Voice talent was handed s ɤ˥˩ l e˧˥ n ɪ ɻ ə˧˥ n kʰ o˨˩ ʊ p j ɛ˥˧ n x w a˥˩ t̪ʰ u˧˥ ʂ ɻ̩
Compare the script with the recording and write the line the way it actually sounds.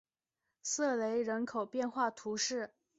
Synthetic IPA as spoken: s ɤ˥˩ l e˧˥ ɪ ɻ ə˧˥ n kʰ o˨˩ ʊ p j ɛ˥˧ n x w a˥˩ t̪ʰ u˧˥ ʂ ɻ̩